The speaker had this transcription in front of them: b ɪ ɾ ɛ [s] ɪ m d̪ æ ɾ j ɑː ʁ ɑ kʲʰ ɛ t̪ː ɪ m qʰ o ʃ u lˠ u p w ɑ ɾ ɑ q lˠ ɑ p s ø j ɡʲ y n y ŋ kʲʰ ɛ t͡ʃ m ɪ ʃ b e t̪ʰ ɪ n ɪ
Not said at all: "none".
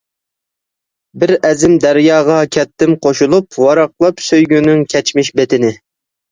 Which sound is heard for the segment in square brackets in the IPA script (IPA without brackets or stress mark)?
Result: z